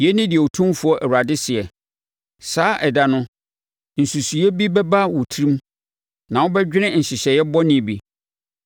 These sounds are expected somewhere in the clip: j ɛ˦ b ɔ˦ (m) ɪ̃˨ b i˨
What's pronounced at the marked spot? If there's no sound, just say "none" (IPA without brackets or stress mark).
n